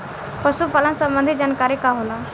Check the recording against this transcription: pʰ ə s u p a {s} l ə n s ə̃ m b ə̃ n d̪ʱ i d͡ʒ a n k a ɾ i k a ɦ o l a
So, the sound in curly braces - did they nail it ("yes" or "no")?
no